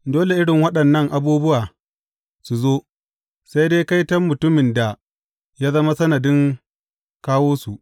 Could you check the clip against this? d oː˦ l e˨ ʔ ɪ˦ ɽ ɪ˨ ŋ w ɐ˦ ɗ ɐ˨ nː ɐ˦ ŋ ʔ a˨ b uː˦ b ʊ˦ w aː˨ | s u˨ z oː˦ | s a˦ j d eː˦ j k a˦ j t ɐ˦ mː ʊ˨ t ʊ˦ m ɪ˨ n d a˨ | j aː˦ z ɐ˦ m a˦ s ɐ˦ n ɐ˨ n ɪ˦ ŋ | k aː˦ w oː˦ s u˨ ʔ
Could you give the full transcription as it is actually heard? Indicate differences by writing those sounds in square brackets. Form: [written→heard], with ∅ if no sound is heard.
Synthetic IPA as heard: d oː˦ l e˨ ʔ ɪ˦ ɽ ɪ˨ ŋ w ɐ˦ ɗ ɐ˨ nː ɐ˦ ŋ ʔ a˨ b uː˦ b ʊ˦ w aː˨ | s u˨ z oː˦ | s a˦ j d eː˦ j k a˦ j t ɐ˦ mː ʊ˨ t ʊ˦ m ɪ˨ n d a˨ | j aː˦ z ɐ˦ m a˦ s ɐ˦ n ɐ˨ [n→d] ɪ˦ ŋ | k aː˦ w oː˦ s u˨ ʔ